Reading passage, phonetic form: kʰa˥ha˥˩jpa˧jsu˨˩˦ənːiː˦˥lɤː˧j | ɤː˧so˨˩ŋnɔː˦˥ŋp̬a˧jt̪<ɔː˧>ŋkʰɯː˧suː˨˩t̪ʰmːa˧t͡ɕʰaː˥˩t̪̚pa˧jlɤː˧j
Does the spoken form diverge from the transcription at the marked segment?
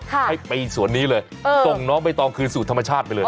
no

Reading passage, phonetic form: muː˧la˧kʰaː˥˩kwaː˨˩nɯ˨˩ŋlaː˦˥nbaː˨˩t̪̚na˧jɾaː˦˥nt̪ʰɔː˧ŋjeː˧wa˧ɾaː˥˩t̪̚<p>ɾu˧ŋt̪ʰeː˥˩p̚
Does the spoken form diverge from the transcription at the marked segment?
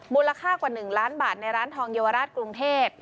yes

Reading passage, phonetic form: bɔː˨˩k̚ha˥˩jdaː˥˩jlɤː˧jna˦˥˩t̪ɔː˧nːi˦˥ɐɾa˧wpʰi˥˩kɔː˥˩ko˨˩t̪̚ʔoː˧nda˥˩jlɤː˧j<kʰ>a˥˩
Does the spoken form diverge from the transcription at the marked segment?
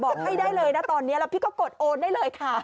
no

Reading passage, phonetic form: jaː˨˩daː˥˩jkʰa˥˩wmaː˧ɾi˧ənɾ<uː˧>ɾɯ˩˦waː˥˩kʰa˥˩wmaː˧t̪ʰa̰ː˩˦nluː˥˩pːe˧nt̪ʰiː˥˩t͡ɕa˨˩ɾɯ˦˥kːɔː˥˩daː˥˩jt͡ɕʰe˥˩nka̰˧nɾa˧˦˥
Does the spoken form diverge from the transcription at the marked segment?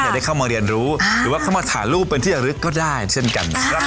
yes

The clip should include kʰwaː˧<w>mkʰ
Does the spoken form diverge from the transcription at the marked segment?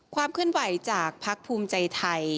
yes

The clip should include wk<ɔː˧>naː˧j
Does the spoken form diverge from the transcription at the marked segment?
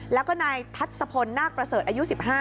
yes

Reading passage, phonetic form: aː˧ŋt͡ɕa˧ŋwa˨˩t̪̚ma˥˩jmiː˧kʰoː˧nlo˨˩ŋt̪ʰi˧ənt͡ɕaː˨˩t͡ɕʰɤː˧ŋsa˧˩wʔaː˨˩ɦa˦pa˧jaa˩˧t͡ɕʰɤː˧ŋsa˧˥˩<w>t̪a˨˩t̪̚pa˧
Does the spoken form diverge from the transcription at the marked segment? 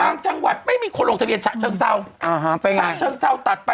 no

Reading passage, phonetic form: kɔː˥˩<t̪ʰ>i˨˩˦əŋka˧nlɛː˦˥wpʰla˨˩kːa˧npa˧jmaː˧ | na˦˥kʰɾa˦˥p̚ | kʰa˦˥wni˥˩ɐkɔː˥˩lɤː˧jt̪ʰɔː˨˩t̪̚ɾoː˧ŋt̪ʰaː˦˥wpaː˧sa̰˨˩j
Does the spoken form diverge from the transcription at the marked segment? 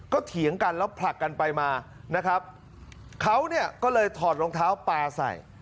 no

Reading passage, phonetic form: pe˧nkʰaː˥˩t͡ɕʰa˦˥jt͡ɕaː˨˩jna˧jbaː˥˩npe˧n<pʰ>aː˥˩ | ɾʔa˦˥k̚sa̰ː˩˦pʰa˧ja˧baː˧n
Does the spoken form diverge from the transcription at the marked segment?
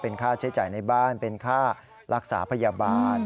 yes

